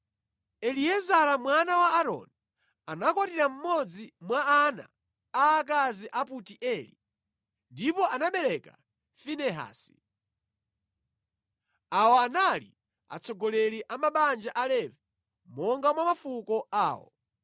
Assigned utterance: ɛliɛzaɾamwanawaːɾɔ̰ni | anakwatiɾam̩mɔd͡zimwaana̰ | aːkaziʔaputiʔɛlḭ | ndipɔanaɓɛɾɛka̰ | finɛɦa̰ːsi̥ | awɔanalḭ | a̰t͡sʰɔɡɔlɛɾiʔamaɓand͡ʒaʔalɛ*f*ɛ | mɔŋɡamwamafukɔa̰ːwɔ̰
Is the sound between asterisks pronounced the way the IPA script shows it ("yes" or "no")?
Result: no